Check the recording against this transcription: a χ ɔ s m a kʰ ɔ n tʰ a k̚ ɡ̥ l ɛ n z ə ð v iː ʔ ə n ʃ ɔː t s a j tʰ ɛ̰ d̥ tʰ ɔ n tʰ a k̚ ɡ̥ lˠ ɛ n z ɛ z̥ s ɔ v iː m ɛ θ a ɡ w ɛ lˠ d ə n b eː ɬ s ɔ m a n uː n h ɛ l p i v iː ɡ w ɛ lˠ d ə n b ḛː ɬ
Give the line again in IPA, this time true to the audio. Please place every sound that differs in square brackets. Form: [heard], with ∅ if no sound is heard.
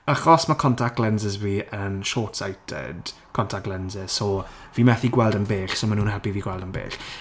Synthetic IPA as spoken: a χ ɔ s m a kʰ ɔ n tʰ a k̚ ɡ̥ l ɛ n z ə [z] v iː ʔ ə n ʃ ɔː t s a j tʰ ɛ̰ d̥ [kʰ] ɔ n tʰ a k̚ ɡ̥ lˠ ɛ n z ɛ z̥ s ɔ v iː m ɛ θ [i] ɡ w ɛ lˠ d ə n b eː ɬ s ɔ m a n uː n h ɛ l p i v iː ɡ w ɛ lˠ d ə n b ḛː ɬ